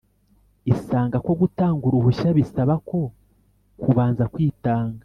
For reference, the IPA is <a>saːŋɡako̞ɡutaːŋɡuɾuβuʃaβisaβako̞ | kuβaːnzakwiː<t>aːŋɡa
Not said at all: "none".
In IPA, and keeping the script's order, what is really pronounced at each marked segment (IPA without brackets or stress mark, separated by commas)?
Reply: i, t